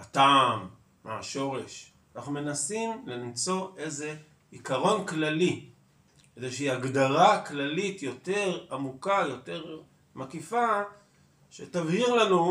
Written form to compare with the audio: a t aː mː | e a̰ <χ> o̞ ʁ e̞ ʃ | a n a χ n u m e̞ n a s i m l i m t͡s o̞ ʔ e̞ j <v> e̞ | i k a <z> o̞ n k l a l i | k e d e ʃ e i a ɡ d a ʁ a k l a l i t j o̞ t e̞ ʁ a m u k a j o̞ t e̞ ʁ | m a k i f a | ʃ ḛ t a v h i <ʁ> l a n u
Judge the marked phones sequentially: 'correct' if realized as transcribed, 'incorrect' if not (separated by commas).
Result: incorrect, incorrect, incorrect, correct